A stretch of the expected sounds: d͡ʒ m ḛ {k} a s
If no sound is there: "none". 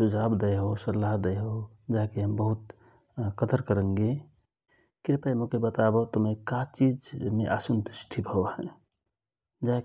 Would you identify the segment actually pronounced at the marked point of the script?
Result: ʔ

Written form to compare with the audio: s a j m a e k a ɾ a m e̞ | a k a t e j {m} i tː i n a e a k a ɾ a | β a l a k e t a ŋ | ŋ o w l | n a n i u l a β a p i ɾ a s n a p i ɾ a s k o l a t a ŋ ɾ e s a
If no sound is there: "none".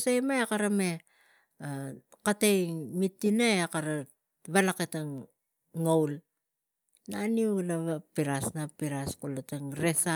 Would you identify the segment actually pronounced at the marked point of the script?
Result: m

